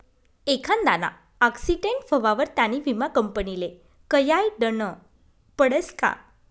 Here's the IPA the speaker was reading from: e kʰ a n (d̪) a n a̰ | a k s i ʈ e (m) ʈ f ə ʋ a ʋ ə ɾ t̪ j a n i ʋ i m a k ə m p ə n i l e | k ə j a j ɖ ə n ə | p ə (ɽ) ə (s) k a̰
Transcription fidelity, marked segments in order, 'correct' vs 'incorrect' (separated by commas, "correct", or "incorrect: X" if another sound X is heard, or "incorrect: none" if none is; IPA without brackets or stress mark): correct, incorrect: ɳ, correct, correct